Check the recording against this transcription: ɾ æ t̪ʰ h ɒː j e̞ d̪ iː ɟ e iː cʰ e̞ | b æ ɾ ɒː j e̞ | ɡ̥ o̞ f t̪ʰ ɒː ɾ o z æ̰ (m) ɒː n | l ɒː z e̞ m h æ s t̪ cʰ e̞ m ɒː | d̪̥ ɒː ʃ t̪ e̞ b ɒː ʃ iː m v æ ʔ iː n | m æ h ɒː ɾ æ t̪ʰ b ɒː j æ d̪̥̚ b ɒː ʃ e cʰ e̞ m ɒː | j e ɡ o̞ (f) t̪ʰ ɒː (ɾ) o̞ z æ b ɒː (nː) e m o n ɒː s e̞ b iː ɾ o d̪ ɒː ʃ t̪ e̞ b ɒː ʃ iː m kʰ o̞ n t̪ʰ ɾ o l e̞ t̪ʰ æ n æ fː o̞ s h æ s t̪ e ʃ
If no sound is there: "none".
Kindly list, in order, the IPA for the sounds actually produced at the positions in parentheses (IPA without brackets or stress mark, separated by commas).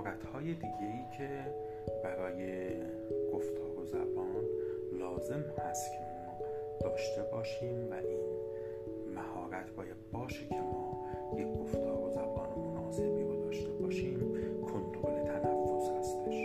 b, f, ɾ, n